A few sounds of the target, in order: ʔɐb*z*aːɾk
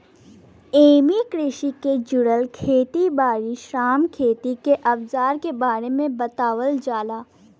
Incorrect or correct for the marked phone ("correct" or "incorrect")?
correct